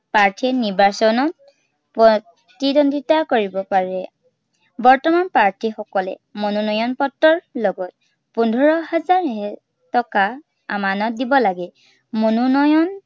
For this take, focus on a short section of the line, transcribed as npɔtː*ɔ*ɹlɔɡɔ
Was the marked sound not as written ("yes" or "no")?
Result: no